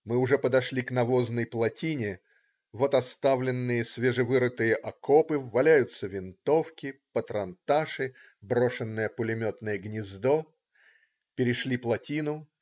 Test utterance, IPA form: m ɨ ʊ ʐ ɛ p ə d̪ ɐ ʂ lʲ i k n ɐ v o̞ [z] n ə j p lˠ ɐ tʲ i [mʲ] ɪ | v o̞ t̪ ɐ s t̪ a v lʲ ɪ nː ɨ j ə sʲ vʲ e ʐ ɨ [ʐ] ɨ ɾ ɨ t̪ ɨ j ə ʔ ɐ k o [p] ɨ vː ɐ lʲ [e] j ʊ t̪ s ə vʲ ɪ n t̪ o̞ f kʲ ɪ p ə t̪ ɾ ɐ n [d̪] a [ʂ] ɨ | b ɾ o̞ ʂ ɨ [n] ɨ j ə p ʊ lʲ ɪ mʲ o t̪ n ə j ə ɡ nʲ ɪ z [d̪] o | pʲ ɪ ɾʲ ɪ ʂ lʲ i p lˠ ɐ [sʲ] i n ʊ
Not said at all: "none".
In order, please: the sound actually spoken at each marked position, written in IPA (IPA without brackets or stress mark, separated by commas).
z, nʲ, v, p, æ, t̪, ʂ, nː, d̪, tʲ